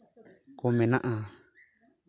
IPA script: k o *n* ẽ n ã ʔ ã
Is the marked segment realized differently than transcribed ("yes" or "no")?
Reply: yes